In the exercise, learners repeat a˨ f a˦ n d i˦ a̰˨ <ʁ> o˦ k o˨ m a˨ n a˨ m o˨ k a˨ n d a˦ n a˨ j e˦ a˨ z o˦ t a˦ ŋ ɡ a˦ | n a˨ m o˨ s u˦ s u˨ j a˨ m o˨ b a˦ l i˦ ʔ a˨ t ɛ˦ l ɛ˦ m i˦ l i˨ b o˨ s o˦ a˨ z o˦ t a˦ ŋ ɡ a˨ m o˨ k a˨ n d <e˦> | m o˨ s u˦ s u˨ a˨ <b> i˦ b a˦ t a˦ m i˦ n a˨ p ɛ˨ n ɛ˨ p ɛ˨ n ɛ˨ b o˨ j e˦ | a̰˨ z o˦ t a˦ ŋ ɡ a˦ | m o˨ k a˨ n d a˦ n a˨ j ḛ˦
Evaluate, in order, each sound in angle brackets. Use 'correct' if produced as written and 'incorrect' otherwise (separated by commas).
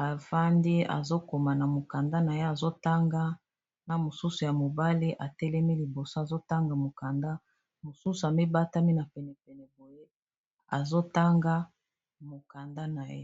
incorrect, incorrect, incorrect